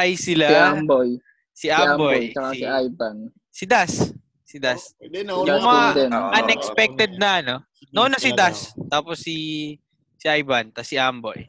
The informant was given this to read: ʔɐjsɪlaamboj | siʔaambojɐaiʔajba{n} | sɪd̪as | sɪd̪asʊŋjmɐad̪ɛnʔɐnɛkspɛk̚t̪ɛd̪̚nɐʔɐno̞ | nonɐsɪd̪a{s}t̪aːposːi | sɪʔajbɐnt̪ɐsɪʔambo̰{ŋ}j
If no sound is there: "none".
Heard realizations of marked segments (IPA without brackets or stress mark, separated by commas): n, s, none